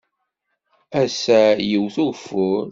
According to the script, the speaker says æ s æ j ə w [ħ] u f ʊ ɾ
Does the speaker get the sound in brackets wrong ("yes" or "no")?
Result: yes